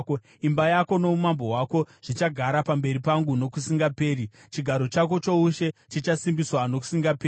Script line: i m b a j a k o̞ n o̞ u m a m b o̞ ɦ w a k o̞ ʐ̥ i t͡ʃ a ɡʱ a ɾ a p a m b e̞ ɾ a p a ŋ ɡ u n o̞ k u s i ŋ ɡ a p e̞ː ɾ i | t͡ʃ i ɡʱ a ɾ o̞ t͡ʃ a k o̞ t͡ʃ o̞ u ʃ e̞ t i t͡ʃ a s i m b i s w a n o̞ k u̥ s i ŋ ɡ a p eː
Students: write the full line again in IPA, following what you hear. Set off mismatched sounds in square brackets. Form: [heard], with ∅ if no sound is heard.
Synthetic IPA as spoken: i m b a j a k o̞ n o̞ u m a m b o̞ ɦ w a k o̞ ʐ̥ i t͡ʃ a ɡʱ a ɾ a p a m b e̞ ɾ [i] p a ŋ ɡ u n o̞ k u s i ŋ ɡ a p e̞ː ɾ i | t͡ʃ i ɡʱ a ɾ o̞ t͡ʃ a k o̞ t͡ʃ o̞ u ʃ e̞ [t͡ʃ] i t͡ʃ a s i m b i s w a n o̞ k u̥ s i ŋ ɡ a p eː

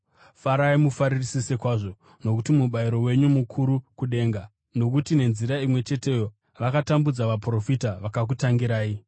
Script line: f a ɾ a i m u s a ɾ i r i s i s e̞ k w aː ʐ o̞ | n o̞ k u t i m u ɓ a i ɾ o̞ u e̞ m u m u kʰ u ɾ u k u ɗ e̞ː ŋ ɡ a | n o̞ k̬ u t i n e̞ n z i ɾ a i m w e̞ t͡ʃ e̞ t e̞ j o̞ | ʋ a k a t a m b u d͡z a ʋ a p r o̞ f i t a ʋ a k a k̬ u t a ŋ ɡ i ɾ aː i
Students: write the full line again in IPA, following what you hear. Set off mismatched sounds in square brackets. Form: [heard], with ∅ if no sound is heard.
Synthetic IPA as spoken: f a ɾ a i m u [f] a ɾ i r i s i s e̞ k w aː ʐ o̞ | n o̞ k u t i m u ɓ a i ɾ o̞ [w] e̞ [ɲ] u m u kʰ u ɾ u k u ɗ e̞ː ŋ ɡ a | n o̞ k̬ u t i n e̞ n z i ɾ a i m w e̞ t͡ʃ e̞ t e̞ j o̞ | ʋ a k a t a m b u d͡z a ʋ a p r o̞ f i t a ʋ a k a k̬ u t a ŋ ɡ i ɾ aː i

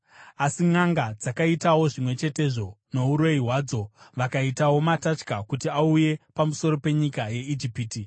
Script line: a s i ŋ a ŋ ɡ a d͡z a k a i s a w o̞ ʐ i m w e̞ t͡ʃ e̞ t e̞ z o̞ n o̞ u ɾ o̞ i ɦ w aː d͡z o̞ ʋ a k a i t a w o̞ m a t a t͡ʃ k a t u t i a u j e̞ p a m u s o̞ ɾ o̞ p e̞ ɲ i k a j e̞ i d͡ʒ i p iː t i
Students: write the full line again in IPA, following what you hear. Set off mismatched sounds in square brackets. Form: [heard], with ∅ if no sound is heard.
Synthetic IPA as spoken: a s i ŋ a ŋ ɡ a d͡z a k a i [t] a w o̞ ʐ i m w e̞ t͡ʃ e̞ t e̞ [ʐ] o̞ n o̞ u ɾ o̞ i ɦ w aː d͡z o̞ ʋ a k a i t a w o̞ m a t a t͡ʃ k a [k] u t i a u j e̞ p a m u s o̞ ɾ o̞ p e̞ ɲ i k a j e̞ i d͡ʒ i p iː t i

